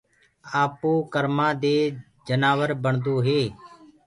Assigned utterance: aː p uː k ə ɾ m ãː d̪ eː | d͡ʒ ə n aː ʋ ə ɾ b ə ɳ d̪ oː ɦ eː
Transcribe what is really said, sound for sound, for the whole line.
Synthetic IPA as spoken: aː p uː k ə ɾ m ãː d̪ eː | d͡ʒ ə n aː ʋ ə ɾ b ə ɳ d̪ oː ɦ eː